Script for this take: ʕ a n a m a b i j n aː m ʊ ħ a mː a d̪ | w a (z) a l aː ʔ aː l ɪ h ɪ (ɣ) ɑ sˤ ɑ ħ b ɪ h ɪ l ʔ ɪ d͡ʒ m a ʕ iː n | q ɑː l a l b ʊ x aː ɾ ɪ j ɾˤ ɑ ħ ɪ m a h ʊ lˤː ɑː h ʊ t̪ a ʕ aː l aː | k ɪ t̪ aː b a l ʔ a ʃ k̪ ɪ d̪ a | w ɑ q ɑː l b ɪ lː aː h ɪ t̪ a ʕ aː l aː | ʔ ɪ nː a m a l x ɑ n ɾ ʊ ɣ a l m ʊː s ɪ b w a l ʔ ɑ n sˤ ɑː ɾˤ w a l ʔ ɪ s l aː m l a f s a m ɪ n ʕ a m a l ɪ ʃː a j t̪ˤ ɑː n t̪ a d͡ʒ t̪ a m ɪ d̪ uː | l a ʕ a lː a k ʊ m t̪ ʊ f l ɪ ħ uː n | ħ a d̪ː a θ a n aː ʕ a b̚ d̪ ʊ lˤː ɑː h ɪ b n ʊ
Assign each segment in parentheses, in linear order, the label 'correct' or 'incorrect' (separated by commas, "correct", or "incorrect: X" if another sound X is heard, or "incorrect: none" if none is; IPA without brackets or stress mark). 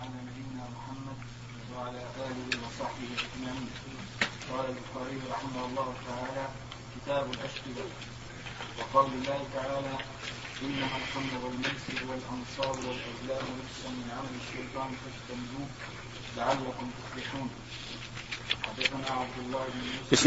incorrect: ʕ, incorrect: w